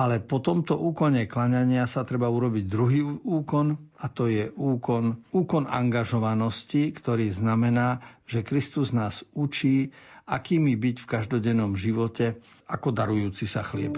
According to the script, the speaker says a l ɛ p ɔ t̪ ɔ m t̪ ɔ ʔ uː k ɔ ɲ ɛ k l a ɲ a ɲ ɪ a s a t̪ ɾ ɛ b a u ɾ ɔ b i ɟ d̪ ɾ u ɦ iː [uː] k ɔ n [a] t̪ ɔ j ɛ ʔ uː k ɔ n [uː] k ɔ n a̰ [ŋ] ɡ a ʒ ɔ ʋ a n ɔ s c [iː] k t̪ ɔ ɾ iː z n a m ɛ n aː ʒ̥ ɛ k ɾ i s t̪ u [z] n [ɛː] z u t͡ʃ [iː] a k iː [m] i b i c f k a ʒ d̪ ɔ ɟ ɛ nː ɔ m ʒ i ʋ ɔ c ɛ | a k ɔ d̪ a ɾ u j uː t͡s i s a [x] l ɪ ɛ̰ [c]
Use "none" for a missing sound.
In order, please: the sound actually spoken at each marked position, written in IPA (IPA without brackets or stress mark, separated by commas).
uː, a, uː, ŋ, i, z, aː, iː, m, x, p